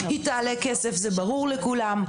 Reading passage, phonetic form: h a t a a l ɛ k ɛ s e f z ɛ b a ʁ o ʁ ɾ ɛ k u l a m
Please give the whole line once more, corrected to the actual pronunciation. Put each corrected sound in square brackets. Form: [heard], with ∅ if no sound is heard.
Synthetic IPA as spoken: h [i] t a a l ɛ k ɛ s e f z ɛ b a ʁ [u] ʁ [l] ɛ k u l a m